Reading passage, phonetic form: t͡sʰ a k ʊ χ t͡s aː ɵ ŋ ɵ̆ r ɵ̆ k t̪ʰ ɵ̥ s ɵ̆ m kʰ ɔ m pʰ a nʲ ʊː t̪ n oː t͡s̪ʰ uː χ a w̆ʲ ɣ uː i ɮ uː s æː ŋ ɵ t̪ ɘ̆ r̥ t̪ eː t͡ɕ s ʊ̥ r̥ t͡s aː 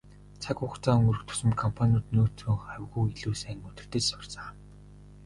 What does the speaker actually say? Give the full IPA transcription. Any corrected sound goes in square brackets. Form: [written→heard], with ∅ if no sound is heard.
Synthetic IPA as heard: t͡sʰ a k ʊ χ t͡s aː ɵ ŋ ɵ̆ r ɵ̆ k t̪ʰ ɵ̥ s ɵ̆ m kʰ ɔ m pʰ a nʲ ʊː t̪ n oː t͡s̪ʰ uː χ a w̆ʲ ɣ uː i ɮ uː s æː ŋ ɵ t̪ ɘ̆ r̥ t̪ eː t͡ɕ s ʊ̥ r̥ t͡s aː